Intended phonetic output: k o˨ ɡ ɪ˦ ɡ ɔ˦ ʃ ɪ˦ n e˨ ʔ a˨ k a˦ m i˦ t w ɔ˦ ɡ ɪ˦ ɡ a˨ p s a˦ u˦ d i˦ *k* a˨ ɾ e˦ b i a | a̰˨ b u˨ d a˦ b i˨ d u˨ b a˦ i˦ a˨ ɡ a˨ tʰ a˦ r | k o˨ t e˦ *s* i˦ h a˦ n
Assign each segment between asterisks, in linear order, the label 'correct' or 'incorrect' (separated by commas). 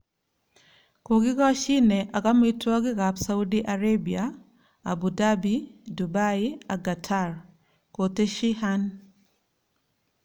incorrect, incorrect